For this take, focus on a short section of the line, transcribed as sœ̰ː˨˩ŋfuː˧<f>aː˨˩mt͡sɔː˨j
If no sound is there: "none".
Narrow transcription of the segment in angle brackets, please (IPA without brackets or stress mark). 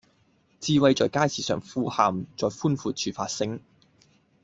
h